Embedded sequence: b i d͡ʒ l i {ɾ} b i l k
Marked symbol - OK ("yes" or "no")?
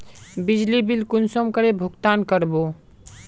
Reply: no